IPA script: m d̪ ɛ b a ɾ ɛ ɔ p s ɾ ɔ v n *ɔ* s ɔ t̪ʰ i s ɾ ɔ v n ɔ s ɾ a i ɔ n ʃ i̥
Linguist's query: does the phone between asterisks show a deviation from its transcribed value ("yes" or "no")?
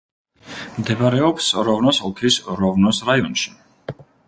no